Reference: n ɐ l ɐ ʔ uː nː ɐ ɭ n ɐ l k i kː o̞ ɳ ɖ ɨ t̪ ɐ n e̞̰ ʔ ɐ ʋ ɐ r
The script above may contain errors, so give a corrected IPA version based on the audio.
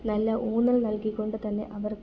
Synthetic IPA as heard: n ɐ lː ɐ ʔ uː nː ɐ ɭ n ɐ l k i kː o̞ ɳ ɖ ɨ t̪ ɐ nː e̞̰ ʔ ɐ ʋ ɐ r